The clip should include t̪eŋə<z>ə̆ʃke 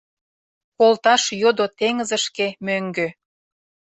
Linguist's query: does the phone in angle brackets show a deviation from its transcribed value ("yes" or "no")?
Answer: no